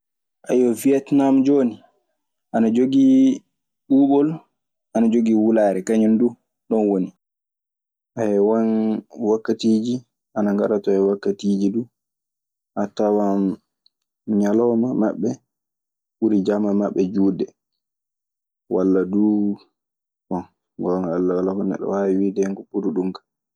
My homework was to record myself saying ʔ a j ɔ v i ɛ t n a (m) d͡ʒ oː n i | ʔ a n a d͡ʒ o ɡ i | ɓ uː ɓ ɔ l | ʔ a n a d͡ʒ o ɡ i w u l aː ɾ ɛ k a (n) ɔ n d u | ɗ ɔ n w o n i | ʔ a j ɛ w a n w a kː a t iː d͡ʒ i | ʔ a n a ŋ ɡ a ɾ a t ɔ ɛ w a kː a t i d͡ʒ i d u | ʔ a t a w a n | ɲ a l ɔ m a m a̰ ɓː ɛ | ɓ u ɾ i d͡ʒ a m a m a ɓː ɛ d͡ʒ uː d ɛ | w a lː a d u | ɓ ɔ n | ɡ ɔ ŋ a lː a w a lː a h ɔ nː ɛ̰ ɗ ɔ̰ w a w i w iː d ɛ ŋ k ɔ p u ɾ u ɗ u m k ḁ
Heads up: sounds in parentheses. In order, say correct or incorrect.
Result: correct, incorrect: ɲ

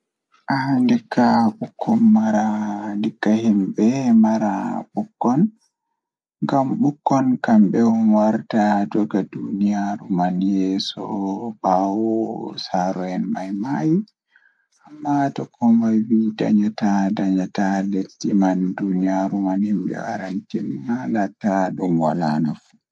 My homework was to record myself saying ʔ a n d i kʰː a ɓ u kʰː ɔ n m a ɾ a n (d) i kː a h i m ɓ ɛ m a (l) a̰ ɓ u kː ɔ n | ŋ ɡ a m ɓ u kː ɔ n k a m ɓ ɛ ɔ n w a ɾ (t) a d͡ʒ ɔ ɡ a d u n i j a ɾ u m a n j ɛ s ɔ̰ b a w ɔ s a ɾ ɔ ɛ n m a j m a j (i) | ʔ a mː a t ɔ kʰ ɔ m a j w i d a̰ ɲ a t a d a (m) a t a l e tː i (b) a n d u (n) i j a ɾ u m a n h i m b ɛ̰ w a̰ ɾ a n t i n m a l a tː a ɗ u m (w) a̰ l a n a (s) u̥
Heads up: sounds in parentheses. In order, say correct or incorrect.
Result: correct, incorrect: ɾ, correct, correct, incorrect: ɲ, incorrect: m, correct, correct, incorrect: f

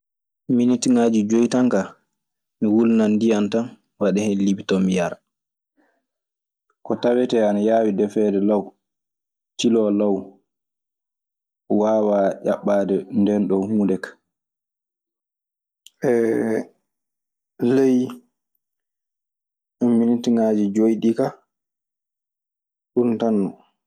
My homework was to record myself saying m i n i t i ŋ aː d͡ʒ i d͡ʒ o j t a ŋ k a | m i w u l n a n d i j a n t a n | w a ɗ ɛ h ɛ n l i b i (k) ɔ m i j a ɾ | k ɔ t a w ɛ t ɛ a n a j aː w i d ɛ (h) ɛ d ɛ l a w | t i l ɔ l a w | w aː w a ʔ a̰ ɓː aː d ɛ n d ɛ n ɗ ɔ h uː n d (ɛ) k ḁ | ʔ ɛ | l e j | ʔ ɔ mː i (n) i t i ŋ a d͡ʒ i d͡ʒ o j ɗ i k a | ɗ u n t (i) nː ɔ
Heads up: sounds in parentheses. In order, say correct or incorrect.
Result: incorrect: t, incorrect: f, correct, correct, incorrect: a

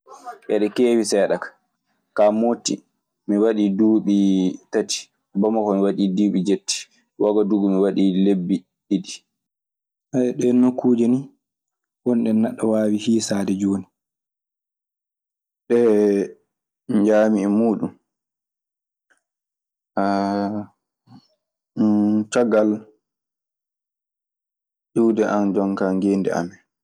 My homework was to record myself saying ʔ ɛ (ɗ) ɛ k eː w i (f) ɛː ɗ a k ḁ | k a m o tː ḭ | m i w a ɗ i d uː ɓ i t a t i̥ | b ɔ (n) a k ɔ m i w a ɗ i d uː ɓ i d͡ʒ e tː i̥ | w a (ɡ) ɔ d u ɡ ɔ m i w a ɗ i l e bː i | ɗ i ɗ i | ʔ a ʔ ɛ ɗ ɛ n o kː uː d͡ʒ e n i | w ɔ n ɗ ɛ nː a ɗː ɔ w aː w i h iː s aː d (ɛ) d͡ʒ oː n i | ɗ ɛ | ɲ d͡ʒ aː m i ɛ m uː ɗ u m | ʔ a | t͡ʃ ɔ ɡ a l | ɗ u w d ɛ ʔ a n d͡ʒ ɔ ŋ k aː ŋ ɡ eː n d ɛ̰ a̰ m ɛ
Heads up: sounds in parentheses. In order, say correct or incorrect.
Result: correct, incorrect: s, incorrect: m, correct, correct

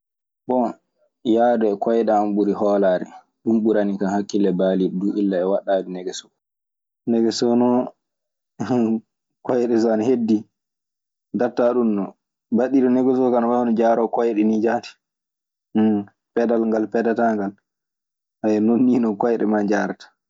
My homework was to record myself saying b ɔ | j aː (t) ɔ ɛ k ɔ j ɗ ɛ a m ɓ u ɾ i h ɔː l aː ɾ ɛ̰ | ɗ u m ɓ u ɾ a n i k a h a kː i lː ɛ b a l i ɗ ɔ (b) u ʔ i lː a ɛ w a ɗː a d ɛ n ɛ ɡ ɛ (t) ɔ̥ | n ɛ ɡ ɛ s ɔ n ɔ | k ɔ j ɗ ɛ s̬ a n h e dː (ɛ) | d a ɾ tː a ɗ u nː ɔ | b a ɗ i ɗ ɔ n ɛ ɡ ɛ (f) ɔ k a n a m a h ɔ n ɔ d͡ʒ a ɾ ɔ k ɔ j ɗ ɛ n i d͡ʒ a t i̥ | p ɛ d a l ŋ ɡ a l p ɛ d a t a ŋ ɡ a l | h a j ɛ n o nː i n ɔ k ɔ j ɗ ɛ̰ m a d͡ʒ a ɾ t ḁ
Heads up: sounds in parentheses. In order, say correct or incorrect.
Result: incorrect: d, incorrect: d, incorrect: s, incorrect: i, incorrect: s

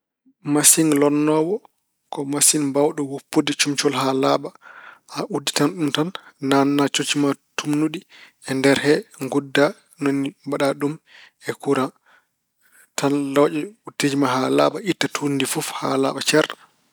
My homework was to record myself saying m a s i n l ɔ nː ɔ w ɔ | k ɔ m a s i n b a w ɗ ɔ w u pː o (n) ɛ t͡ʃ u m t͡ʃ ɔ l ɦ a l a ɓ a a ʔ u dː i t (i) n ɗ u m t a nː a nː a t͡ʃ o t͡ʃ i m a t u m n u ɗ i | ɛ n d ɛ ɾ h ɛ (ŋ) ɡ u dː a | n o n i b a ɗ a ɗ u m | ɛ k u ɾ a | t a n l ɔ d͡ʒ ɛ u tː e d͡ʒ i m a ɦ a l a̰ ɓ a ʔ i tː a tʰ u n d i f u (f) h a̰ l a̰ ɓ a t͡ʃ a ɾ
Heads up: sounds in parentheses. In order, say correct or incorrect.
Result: incorrect: d, incorrect: a, correct, correct

